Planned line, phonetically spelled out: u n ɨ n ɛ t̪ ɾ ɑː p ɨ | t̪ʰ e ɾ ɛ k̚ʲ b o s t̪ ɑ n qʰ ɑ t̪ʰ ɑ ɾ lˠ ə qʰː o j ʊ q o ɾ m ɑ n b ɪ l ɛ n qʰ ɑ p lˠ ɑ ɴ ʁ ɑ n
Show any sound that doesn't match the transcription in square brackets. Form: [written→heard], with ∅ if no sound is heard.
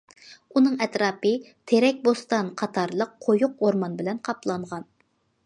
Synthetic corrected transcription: u n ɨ [n→ŋ] ɛ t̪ ɾ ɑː p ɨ | t̪ʰ e ɾ ɛ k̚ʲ b o s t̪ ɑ n qʰ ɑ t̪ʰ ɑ ɾ lˠ ə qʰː o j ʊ q o ɾ m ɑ n b ɪ l ɛ n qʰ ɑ p lˠ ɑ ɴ ʁ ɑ n